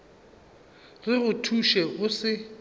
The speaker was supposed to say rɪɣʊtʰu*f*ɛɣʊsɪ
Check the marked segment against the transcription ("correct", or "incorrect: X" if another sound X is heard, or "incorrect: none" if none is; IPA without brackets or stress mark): incorrect: ʃ